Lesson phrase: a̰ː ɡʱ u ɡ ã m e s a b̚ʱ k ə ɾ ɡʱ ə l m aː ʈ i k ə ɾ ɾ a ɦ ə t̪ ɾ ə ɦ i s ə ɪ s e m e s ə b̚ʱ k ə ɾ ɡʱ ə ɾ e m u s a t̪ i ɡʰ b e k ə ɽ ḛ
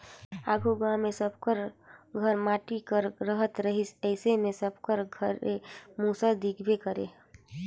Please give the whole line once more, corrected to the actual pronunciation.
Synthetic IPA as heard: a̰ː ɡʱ u ɡ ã m e s ə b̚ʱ k ə ɾ ɡʱ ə ɾ m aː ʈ i k ə ɾ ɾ ə ɦ ə t̪ ɾ ə ɦ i s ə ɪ s e m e s ə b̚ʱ k ə ɾ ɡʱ ə ɾ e m u s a d̪ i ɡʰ b e k ə ɾ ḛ